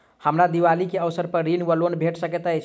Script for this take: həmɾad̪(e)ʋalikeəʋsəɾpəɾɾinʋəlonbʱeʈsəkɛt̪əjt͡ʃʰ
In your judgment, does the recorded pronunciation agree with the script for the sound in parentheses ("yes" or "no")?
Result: no